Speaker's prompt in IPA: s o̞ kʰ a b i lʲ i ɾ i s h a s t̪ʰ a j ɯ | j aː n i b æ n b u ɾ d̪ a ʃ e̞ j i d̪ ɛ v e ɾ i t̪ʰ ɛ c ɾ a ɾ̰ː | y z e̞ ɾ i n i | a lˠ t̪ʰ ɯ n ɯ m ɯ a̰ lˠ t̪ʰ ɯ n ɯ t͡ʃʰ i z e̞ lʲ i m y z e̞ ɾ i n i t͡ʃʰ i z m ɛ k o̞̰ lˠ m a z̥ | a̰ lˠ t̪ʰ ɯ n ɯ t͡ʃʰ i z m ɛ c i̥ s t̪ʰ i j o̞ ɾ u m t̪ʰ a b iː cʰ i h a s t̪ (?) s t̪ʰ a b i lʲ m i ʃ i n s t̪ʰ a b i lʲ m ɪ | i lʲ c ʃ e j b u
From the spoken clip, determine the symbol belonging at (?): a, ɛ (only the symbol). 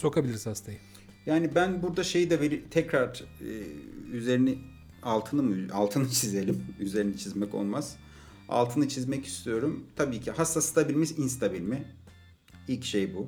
a